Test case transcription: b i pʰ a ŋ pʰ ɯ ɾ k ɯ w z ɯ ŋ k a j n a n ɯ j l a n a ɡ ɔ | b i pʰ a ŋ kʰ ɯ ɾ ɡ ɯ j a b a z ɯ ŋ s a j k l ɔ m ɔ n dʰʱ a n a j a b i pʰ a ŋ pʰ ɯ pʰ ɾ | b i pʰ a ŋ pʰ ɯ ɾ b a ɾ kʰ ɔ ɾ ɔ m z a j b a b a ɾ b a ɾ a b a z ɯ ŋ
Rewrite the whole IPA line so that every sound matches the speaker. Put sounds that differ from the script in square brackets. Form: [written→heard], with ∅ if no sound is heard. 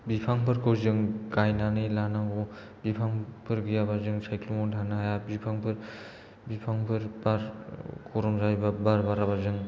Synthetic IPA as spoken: b i pʰ a ŋ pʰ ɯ ɾ k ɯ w z ɯ ŋ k a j n a n ɯ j l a n a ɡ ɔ | b i pʰ a ŋ [kʰ→pʰ] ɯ ɾ ɡ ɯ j a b a z ɯ ŋ s a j k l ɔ m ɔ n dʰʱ a n a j a b i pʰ a ŋ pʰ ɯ [pʰ→∅] ɾ | b i pʰ a ŋ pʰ ɯ ɾ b a ɾ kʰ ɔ ɾ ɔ m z a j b a b a ɾ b a ɾ a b a z ɯ ŋ

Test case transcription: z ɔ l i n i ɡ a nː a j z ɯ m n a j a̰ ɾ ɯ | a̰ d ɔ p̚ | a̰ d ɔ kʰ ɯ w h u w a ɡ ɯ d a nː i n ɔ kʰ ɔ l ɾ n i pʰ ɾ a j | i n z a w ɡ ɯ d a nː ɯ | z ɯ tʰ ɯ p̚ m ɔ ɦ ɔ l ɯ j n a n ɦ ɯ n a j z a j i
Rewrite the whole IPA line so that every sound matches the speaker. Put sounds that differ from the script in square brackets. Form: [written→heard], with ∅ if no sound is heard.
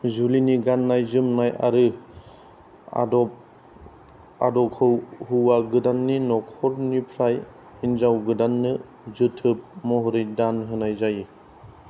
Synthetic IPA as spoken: z [ɔ→u] l i n i ɡ a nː a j z ɯ m n a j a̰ ɾ ɯ | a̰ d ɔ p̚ | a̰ d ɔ kʰ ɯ w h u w a ɡ ɯ d a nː i n ɔ kʰ ɔ [l→∅] ɾ n i pʰ ɾ a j | i n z a w ɡ ɯ d a nː ɯ | z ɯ tʰ ɯ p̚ m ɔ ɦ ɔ [l→ɾ] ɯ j [n→d] a n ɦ ɯ n a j z a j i

